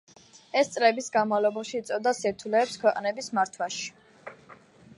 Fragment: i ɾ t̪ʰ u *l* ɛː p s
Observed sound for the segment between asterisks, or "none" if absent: l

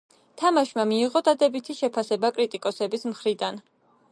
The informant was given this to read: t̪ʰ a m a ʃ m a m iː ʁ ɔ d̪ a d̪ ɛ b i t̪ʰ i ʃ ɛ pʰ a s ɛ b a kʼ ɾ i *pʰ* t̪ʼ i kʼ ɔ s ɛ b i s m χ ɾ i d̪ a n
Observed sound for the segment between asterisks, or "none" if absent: none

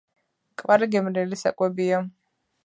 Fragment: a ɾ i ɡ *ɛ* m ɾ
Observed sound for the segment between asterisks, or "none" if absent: ɛ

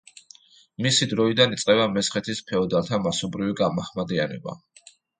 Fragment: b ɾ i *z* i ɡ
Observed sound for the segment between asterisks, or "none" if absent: v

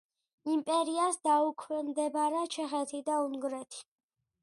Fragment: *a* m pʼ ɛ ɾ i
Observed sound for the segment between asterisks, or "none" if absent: i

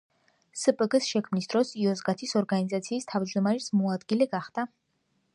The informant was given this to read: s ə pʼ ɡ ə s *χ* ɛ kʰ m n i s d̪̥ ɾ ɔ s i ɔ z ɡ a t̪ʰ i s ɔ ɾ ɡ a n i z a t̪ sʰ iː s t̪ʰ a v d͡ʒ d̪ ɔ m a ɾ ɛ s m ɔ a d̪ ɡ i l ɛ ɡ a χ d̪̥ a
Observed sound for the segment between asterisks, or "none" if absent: ʃ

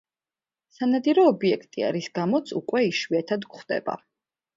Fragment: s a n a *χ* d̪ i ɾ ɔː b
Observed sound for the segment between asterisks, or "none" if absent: none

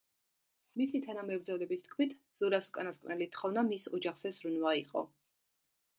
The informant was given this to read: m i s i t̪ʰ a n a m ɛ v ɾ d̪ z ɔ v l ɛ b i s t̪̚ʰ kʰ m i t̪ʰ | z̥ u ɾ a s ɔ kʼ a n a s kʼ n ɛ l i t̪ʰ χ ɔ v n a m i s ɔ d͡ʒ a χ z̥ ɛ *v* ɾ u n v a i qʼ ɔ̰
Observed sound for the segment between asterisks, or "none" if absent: z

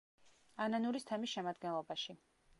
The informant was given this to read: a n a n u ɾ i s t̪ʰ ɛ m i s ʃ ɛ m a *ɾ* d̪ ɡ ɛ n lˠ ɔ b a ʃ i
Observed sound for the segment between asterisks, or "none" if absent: none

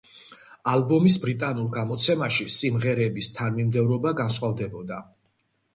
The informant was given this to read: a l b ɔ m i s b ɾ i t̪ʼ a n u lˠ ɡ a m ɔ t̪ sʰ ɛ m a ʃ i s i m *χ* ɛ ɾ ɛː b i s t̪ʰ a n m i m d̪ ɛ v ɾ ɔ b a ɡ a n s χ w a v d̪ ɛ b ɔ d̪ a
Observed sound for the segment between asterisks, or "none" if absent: ʁ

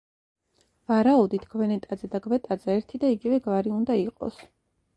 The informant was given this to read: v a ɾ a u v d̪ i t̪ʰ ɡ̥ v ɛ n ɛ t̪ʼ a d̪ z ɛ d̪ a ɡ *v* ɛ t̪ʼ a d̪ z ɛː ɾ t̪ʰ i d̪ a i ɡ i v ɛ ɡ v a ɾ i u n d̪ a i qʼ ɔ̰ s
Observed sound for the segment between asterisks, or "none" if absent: v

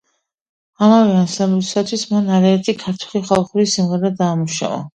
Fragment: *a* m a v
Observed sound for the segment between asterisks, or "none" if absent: a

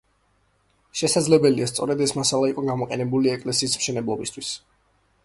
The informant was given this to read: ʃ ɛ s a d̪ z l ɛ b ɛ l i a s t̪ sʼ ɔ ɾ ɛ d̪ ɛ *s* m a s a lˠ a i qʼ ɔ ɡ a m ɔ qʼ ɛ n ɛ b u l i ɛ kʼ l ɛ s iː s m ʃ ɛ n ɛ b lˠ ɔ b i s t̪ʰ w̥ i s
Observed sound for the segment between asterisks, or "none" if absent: s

